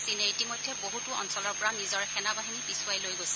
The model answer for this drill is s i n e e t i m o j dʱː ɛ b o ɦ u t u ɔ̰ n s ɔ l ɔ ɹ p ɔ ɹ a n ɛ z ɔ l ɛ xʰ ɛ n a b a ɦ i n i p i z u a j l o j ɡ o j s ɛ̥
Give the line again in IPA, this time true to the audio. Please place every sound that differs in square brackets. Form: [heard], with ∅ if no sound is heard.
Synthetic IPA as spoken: s i n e [i] t i m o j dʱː ɛ b o ɦ u t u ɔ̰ n s ɔ l ɔ ɹ p ɔ ɹ a n [i] z ɔ [ɹ] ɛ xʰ ɛ n a b a ɦ i n i p i [s] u a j l o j ɡ o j s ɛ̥